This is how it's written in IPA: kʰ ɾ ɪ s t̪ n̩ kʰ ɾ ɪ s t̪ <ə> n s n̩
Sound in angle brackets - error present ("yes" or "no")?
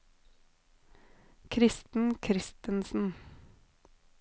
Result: no